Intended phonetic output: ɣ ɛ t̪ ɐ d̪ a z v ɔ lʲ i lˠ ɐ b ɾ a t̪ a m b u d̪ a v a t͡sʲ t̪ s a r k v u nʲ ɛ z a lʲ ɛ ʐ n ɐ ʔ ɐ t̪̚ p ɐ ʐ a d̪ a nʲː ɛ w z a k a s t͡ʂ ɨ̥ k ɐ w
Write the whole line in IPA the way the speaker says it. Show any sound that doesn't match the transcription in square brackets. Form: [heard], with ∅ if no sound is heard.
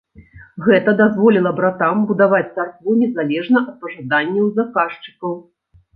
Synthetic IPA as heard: ɣ ɛ t̪ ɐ d̪ a z v ɔ lʲ i lˠ ɐ b ɾ a t̪ a m b u d̪ a v a t͡sʲ t̪ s a r k v u nʲ ɛ z a lʲ ɛ ʐ n ɐ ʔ ɐ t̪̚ p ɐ ʐ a d̪ a nʲː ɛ w z a k a [ʂ] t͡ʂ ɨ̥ k ɐ w